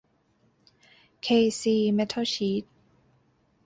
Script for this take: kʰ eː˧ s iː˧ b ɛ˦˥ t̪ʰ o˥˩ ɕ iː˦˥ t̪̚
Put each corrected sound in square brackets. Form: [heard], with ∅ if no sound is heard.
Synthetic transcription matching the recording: kʰ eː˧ s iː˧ [m] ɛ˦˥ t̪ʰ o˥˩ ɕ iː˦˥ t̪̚